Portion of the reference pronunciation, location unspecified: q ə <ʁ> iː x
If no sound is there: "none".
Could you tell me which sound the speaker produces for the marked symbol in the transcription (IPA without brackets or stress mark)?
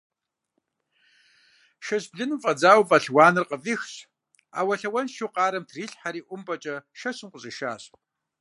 v